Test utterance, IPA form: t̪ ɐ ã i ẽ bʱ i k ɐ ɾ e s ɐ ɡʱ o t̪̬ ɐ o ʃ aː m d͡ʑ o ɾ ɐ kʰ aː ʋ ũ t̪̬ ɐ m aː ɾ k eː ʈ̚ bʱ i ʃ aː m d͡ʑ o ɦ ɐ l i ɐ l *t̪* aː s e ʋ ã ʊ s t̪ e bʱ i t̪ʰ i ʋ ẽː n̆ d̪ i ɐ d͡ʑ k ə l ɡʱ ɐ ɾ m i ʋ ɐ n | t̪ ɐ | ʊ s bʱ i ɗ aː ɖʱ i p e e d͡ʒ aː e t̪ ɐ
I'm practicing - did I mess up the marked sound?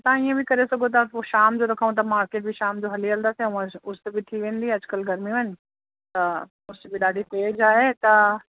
yes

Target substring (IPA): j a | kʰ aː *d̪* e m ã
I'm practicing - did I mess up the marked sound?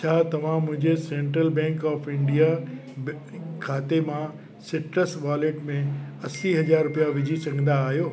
yes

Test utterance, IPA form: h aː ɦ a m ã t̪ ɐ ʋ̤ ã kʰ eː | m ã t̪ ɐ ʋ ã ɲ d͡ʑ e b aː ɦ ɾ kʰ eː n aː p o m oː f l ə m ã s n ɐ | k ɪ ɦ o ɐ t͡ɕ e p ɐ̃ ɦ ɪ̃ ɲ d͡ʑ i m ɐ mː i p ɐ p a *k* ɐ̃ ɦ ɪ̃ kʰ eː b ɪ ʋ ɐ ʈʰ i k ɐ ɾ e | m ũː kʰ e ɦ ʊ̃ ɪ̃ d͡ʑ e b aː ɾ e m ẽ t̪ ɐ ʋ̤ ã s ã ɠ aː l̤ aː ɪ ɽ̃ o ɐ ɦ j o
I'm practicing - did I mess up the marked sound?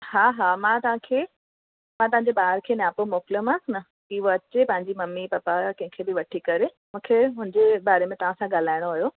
no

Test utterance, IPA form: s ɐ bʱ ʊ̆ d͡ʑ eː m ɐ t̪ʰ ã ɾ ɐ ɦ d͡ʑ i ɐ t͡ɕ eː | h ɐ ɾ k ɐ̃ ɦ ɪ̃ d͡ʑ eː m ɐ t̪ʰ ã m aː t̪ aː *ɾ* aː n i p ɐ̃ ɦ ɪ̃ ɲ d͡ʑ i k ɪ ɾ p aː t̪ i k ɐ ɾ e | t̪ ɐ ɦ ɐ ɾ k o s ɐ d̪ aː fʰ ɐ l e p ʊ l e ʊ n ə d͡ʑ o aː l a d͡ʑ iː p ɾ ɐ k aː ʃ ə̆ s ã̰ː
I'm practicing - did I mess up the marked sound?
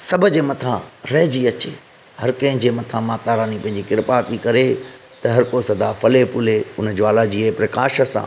no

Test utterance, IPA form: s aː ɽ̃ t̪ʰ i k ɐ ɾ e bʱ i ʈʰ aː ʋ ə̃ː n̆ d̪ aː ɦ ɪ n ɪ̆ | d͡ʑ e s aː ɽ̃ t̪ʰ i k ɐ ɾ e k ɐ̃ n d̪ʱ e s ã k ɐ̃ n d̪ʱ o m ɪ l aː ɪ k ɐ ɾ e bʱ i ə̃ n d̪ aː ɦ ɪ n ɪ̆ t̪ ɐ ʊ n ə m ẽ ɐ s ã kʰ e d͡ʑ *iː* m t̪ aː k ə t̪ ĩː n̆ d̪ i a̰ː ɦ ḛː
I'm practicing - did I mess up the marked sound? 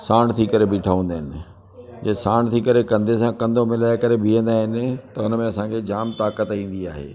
yes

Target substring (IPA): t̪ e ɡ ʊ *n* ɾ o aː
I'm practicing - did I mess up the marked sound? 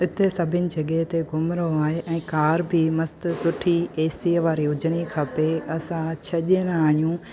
yes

